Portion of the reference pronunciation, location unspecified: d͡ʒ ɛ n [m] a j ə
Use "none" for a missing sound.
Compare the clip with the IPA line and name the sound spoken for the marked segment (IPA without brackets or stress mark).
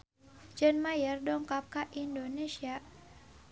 m